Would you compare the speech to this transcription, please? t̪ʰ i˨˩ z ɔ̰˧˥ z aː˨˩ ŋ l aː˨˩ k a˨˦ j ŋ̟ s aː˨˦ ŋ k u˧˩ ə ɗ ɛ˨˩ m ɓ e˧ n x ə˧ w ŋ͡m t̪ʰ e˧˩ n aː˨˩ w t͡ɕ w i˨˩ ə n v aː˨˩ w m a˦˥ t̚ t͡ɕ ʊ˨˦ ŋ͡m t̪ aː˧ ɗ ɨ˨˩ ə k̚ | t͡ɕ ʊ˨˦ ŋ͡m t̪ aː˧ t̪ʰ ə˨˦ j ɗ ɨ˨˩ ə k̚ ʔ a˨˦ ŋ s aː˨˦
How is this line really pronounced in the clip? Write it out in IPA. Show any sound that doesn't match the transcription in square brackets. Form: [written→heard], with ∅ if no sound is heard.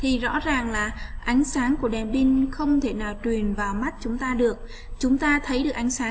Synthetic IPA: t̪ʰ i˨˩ z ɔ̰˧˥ z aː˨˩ ŋ l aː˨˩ [k→ʔ] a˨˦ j ŋ̟ s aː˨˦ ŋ k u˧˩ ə ɗ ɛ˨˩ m ɓ [e˧→i˧] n x ə˧ w ŋ͡m t̪ʰ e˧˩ n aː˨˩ w t͡ɕ w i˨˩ ə n v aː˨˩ w m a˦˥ t̚ t͡ɕ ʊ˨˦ ŋ͡m t̪ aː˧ ɗ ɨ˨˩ ə k̚ | t͡ɕ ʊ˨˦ ŋ͡m t̪ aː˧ t̪ʰ ə˨˦ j ɗ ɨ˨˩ ə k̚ ʔ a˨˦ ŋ s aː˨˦